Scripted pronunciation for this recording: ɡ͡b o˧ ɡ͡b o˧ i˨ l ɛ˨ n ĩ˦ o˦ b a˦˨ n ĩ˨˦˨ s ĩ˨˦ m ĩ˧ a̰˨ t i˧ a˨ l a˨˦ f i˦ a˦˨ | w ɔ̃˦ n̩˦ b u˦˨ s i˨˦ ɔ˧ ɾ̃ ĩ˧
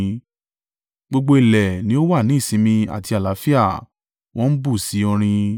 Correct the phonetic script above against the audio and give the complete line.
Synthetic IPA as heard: ɡ͡b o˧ ɡ͡b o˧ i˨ l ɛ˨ n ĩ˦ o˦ w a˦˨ n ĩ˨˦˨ s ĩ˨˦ m ĩ˧ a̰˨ t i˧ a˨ l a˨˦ f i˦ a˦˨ | w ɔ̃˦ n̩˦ b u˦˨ s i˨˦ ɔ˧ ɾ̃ ĩ˧